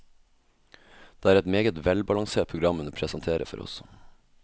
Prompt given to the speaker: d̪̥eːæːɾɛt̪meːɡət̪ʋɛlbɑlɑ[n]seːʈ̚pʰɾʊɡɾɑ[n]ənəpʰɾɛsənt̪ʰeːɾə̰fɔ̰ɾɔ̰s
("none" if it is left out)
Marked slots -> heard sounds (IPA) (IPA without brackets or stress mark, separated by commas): ŋ, m